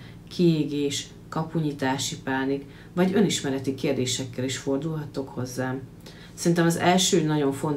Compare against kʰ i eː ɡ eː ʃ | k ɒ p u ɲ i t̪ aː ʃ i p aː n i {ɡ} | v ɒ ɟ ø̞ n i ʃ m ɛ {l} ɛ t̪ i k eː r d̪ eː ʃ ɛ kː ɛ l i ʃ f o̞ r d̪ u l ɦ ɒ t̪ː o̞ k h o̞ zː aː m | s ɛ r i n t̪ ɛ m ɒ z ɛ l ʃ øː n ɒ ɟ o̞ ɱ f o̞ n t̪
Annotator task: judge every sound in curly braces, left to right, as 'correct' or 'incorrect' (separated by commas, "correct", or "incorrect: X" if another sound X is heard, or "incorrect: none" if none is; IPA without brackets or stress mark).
incorrect: k, incorrect: ɾ